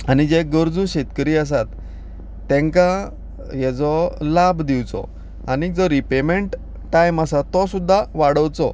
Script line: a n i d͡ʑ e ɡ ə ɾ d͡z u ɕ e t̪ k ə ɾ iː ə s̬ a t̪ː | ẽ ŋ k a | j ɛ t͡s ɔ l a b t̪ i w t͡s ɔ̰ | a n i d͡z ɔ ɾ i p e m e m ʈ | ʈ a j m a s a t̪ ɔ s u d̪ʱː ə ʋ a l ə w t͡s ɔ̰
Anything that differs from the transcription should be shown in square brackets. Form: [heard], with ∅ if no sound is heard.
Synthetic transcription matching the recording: a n i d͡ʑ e ɡ ə ɾ d͡z u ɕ e t̪ k ə ɾ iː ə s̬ a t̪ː | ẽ ŋ k a | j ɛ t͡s ɔ l a b [d̪] i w t͡s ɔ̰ | a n i d͡z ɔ ɾ i p e m e [ɳ] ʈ | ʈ a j m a s a t̪ ɔ s u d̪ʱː [a] ʋ a [ɽ] ə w t͡s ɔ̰